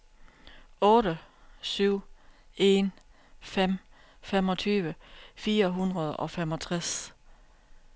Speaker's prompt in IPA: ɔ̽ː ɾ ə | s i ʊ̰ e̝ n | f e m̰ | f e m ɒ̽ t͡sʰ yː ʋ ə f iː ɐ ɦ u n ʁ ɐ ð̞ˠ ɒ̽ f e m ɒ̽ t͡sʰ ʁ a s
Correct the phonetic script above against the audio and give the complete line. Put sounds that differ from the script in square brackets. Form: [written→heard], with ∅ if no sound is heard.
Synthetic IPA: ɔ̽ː ɾ ə | s [i→y] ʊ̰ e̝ n | f e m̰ | f e m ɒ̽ t͡sʰ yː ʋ ə f iː ɐ ɦ u n ʁ ɐ ð̞ˠ ɒ̽ f e m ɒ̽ t͡sʰ ʁ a s